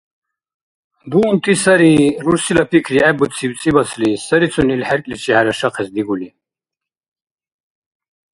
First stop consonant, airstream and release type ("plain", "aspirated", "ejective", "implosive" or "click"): plain